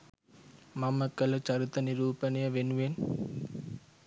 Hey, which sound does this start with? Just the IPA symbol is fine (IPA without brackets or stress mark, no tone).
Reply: m